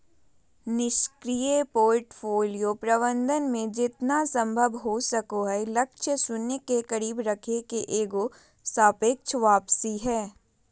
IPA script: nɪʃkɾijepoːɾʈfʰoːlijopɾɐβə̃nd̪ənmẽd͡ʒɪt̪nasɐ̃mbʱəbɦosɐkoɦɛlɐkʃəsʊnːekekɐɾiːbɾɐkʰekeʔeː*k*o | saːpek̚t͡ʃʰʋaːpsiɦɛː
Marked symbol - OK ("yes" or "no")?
no